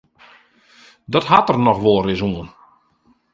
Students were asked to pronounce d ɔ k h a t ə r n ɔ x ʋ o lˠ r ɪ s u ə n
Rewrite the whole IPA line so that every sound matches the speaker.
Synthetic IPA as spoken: d ɔ t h a t ə r n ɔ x ʋ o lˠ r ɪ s u ə n